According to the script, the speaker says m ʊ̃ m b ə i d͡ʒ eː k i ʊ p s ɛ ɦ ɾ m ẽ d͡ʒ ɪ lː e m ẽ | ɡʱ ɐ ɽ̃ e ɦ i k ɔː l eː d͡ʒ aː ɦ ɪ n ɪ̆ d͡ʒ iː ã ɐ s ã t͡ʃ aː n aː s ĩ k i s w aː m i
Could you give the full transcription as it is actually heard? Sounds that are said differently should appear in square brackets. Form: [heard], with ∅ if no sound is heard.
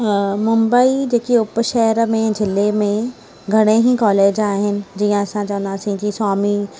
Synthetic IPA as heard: m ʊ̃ m b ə i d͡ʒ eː k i ʊ p [ʃ] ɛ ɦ ɾ m ẽ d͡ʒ ɪ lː e m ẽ | ɡʱ ɐ ɽ̃ e ɦ i k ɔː l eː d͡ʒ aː ɦ ɪ n ɪ̆ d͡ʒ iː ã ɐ s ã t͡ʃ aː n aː s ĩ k i s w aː m i